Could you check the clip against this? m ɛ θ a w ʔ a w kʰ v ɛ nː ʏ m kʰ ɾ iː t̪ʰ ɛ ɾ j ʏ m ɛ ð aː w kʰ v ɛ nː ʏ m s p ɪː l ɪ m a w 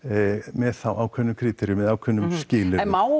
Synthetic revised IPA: m ɛ θ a w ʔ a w kʰ v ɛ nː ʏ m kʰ ɾ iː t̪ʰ ɛ ɾ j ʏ m ɛ ð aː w kʰ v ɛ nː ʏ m s c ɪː l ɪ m a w